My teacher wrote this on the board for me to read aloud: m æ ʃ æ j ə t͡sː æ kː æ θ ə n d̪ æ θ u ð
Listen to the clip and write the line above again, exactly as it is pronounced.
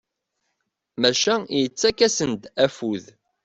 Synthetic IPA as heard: m æ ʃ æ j ə t͡sː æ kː æ s ə n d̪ æ f u ð